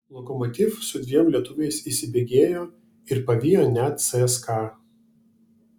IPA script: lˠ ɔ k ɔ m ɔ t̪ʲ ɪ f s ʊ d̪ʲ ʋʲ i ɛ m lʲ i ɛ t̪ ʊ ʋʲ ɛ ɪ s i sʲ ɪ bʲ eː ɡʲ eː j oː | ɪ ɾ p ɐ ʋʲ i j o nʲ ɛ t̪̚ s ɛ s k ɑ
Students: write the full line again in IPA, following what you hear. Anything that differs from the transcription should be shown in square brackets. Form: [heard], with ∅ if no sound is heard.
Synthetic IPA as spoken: lˠ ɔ k ɔ m ɔ t̪ʲ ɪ f s ʊ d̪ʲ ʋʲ i ɛ m lʲ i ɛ t̪ ʊ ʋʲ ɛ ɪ s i sʲ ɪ bʲ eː ɡʲ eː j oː | ɪ ɾ p ɐ ʋʲ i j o nʲ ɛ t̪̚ s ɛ s k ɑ